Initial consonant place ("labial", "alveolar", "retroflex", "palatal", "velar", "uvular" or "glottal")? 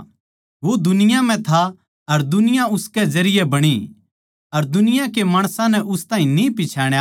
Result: labial